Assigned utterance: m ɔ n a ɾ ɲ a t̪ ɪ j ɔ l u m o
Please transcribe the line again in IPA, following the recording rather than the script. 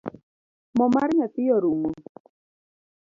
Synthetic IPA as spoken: m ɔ m a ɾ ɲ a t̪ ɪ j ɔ ɾ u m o